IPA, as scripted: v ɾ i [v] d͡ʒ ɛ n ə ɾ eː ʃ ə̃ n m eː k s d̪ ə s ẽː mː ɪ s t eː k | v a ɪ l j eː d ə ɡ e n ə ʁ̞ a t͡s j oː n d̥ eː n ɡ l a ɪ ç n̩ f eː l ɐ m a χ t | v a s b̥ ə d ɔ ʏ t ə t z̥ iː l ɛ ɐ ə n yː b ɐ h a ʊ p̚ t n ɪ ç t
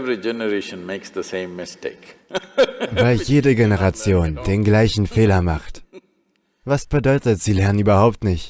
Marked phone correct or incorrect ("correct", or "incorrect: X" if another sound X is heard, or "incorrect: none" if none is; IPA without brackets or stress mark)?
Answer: incorrect: none